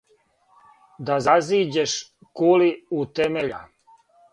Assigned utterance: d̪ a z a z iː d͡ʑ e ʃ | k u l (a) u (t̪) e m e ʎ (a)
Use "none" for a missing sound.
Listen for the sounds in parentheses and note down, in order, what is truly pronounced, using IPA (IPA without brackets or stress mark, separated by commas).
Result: i, t̪, a